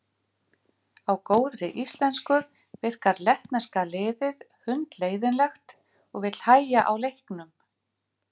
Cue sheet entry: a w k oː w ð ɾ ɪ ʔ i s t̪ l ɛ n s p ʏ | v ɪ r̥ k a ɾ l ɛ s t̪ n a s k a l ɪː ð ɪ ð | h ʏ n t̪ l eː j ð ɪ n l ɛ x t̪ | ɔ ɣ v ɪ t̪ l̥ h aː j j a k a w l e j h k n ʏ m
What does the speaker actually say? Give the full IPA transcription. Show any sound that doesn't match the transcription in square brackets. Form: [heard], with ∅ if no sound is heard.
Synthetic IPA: a w k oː w ð ɾ ɪ ʔ i s t̪ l ɛ n s [k] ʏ | v ɪ r̥ k a ɾ l ɛ [h] t̪ n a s k a l ɪː ð ɪ ð | h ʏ n t̪ l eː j ð ɪ n l ɛ x t̪ | ɔ ɣ v ɪ t̪ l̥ h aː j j a [ʔ] a w l e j h k n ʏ m